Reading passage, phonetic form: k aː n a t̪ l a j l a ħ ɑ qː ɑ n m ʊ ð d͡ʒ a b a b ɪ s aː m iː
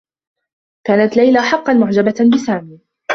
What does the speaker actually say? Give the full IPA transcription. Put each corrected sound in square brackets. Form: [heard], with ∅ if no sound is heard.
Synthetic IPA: k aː n a t̪ l a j l a ħ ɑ qː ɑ n m ʊ [ʕ] d͡ʒ a b a b ɪ s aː m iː